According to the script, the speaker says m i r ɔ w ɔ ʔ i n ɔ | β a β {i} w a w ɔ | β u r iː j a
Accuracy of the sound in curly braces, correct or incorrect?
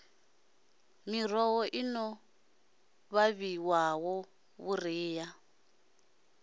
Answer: correct